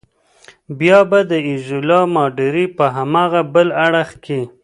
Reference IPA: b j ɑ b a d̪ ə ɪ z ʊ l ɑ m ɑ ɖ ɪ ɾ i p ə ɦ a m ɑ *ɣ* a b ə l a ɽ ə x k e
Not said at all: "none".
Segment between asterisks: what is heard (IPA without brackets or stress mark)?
ɣ